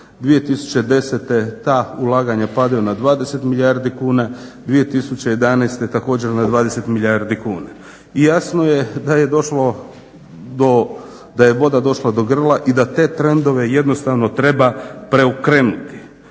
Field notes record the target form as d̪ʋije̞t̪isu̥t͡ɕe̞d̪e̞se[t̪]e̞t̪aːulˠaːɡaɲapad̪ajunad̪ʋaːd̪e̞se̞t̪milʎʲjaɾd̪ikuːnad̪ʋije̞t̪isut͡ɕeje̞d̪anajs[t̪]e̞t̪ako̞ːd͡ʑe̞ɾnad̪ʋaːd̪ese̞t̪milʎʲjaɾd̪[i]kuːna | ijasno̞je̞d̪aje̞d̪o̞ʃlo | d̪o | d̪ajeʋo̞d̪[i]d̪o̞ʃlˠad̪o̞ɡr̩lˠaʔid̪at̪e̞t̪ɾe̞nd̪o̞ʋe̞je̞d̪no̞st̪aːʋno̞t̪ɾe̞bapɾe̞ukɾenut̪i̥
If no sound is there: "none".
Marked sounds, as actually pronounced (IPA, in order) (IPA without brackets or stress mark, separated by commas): t̪, t̪, i, a